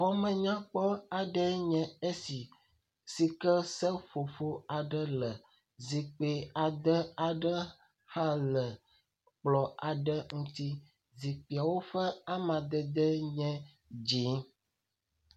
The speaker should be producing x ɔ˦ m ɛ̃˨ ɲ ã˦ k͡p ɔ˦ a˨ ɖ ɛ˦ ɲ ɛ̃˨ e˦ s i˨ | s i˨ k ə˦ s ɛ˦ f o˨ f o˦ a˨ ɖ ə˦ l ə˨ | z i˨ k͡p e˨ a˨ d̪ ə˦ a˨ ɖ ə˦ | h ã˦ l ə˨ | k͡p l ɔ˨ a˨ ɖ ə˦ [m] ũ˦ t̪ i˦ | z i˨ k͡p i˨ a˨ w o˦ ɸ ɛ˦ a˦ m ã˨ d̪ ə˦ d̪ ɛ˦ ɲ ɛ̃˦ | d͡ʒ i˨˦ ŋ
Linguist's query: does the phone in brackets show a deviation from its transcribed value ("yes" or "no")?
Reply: yes